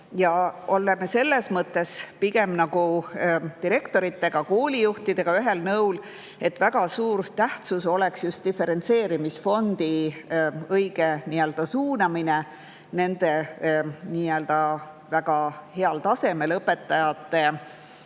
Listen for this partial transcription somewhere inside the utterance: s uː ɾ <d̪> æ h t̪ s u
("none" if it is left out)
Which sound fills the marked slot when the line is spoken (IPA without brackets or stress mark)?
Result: t̪